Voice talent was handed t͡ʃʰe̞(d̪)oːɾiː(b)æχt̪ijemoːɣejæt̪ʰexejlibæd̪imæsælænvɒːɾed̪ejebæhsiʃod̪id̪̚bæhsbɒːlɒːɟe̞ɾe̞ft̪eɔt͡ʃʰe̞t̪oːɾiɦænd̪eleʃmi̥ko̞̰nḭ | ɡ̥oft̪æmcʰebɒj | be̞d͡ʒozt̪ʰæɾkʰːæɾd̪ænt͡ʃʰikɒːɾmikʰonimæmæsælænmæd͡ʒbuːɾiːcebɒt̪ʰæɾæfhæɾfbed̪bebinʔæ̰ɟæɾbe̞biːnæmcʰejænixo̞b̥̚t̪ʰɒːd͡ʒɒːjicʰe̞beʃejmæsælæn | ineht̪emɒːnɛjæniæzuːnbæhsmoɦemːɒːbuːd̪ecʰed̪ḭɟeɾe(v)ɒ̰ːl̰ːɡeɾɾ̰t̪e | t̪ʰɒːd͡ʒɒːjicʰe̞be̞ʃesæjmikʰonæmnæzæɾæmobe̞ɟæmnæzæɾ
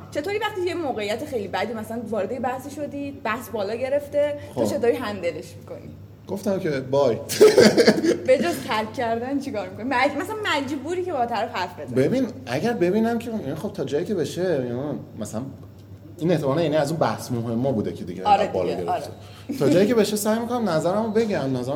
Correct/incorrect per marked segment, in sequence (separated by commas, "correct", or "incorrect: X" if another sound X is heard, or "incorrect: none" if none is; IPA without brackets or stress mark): incorrect: t̪, incorrect: v, incorrect: b